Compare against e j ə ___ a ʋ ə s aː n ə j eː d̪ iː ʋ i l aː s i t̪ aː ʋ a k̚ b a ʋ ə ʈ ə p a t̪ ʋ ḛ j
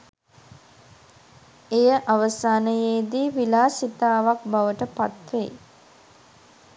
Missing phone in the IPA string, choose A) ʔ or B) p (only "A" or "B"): A